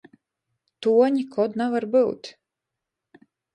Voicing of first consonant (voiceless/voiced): voiceless